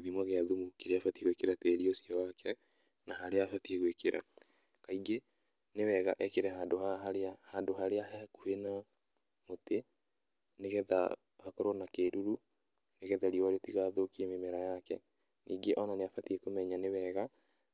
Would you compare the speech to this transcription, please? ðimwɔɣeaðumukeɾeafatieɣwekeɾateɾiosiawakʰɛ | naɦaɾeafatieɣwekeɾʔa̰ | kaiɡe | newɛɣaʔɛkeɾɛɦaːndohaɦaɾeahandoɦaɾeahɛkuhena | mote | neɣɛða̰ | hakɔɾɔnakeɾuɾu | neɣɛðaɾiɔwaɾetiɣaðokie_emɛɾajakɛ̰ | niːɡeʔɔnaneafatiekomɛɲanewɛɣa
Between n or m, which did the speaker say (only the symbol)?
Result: m